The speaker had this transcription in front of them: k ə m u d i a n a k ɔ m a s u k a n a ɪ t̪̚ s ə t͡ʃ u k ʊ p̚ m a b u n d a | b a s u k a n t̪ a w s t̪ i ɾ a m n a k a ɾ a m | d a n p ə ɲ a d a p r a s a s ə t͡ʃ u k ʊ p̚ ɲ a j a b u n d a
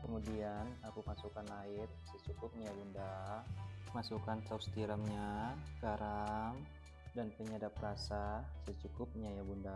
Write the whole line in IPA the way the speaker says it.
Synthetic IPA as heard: k ə m u d i a n a k u m a s u k a n a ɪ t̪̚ s ə t͡ʃ u k ʊ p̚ ɲ a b u n d a | m a s u k a n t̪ a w s t̪ i ɾ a m ɲ a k a ɾ a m | d a n p ə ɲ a d a p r a s a s ə t͡ʃ u k ʊ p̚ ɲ a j a b u n d a